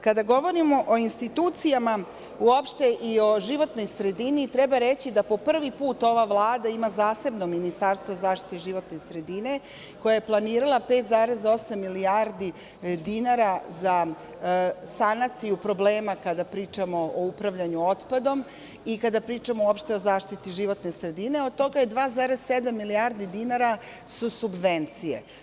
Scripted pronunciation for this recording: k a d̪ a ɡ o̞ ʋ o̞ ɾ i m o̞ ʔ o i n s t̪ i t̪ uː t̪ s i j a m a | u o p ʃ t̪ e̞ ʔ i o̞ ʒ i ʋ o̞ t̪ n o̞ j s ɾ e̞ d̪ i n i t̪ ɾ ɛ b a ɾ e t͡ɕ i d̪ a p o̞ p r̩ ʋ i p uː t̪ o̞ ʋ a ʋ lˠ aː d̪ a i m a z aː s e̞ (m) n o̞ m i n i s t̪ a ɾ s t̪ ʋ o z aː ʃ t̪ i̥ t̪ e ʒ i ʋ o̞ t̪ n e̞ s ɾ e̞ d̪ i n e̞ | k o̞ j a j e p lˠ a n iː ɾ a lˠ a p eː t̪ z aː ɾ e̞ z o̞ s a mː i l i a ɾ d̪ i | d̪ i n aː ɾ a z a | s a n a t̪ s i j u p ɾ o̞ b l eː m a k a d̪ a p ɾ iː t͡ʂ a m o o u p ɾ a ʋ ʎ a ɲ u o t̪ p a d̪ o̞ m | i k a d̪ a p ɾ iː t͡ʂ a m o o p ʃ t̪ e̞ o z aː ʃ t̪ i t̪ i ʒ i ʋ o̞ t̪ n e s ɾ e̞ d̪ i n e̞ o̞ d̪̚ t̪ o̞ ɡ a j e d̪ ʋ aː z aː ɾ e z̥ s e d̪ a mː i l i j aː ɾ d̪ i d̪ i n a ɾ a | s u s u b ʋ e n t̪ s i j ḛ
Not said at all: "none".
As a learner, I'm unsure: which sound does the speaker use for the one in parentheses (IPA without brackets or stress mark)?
b